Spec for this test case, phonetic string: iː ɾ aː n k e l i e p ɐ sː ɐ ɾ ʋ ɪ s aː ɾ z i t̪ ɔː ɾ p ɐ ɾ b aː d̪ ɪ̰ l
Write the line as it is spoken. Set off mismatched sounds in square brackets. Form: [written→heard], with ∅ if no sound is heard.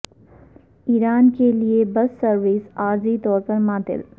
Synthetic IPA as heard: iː ɾ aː n k e l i e [p→b] ɐ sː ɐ ɾ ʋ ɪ s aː ɾ z i t̪ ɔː ɾ p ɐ ɾ [b→m] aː [d̪→t̪] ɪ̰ l

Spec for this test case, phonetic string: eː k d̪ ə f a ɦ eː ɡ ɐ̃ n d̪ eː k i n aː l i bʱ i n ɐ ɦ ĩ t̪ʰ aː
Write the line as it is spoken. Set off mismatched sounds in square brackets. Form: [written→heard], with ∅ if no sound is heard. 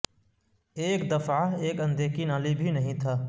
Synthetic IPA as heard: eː k d̪ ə f a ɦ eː [ɡ→k] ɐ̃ n d̪ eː k i n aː l i bʱ i n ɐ ɦ ĩ t̪ʰ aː

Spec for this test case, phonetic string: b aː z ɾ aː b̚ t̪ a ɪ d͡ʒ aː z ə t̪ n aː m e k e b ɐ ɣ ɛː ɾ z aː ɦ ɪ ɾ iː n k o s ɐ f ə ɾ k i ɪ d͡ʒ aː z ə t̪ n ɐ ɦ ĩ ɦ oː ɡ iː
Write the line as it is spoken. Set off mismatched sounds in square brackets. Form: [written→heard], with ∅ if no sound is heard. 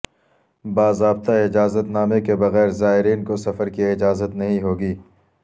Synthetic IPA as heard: b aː z ɾ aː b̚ t̪ a ɪ d͡ʒ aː z ə t̪ n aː m e k e b ɐ ɣ ɛː ɾ z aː ɦ ɪ ɾ iː n k o s ɐ f ə ɾ k i ɪ d͡ʒ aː z ə t̪ n ɐ ɦ ĩ ɦ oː ɡ iː

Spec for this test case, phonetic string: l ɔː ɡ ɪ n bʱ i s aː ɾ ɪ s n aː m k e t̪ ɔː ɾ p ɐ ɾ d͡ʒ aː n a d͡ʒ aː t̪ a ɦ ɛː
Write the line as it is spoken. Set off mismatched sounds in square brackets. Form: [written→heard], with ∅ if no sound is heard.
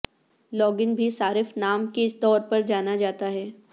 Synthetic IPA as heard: l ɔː ɡ ɪ n bʱ i s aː ɾ ɪ [s→f] n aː m k e t̪ ɔː ɾ p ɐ ɾ d͡ʒ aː n a d͡ʒ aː t̪ a ɦ ɛː

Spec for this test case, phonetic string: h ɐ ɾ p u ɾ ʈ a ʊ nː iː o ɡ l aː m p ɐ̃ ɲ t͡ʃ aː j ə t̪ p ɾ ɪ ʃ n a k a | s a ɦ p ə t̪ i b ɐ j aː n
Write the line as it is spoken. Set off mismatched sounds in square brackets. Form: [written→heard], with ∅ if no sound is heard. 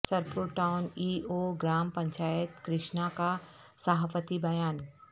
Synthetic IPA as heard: [h→s] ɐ ɾ p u ɾ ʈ a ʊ [nː→n] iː o ɡ [l→ɾ] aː m p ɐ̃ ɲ t͡ʃ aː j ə t̪ [p→k] ɾ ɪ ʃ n a k a | s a ɦ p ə t̪ i b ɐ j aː n

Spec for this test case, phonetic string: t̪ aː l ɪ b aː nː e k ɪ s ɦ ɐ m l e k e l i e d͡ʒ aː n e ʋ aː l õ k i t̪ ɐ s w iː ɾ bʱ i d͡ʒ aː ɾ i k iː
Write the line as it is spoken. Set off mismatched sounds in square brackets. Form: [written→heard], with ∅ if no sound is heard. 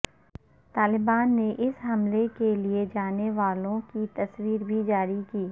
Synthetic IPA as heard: t̪ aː l ɪ b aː nː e [k→ʔ] ɪ s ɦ ɐ m l e k e l i e d͡ʒ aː n e ʋ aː l õ k i t̪ ɐ s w iː ɾ bʱ i d͡ʒ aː ɾ i k iː

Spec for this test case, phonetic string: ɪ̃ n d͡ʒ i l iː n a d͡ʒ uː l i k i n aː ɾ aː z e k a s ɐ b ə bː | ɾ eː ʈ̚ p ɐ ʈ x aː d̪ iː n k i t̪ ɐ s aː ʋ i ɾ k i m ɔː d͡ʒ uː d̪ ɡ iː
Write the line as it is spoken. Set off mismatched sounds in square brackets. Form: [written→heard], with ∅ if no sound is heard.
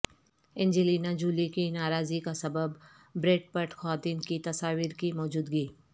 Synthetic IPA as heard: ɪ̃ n d͡ʒ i l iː n a d͡ʒ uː l i k i n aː ɾ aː z [e→i] k a s ɐ b ə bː | ɾ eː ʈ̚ p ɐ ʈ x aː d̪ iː n k i t̪ ɐ s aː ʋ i ɾ k i m ɔː d͡ʒ uː d̪ ɡ iː

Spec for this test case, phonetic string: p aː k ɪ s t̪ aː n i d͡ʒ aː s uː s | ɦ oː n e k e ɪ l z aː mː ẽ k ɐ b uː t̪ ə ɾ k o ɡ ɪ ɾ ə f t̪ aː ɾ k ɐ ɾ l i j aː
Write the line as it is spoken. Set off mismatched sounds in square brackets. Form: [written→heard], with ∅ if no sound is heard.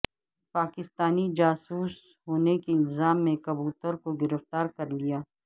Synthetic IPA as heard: p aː k ɪ s t̪ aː n i d͡ʒ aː s uː s | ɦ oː n e k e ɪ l z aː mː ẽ k ɐ b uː t̪ ə ɾ k o ɡ ɪ ɾ ə f t̪ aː ɾ k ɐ ɾ l i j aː

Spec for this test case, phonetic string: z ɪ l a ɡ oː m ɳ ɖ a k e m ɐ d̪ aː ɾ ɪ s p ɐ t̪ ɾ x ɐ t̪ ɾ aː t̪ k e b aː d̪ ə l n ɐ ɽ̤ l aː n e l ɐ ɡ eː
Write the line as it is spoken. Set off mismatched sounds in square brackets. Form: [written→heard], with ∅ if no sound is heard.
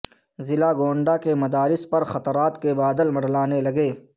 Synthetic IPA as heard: z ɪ l a ɡ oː [m→∅] ɳ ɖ a k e m ɐ d̪ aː ɾ ɪ s p ɐ [t̪→∅] ɾ x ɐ t̪ ɾ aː t̪ k e b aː d̪ ə l [n→m] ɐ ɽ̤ l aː n e l ɐ ɡ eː

